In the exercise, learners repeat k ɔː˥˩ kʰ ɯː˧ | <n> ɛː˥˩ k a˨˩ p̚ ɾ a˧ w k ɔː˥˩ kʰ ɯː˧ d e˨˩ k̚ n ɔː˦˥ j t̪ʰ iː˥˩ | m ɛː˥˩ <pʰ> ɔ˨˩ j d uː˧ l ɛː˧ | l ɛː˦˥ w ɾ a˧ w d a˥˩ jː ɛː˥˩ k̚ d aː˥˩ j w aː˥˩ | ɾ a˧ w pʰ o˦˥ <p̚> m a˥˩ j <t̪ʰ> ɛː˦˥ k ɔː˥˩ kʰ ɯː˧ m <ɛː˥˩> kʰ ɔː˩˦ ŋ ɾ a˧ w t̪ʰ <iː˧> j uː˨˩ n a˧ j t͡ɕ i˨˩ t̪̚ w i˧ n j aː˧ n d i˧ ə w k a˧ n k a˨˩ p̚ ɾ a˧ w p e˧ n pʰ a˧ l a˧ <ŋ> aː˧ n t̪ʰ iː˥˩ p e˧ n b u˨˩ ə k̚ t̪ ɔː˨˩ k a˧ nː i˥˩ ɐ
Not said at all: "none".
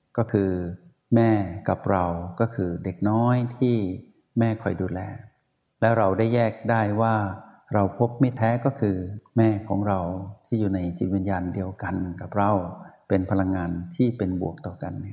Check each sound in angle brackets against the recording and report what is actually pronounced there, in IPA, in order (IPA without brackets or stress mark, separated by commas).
m, kʰ, p̚, t̪ʰ, ɛː˥˩, iː˥˩, ŋː